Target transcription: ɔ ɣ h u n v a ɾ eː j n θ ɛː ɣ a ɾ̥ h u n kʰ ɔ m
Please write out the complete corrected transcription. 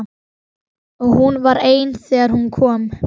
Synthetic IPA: ɔ ɣ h u n v a ɾ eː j n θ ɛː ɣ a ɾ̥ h u n kʰ ɔː m